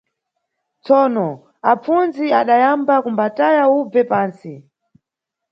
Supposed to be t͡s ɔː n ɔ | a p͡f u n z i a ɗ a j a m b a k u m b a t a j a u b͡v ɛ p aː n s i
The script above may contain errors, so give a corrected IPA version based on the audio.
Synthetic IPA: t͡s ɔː n ɔ | a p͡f u n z i a ɗ a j a m b a k u m b a t a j a u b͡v ɛ p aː n s i